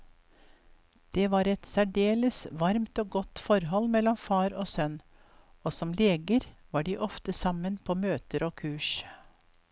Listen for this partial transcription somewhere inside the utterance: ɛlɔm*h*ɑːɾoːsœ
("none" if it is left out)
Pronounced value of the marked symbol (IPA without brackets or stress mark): f